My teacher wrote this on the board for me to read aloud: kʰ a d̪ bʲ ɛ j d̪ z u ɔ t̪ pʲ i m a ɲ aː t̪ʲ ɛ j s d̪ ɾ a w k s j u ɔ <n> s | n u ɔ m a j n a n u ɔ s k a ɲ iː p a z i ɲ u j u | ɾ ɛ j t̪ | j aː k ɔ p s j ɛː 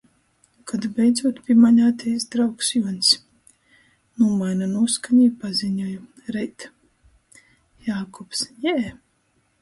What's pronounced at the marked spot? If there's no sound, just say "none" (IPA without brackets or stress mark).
n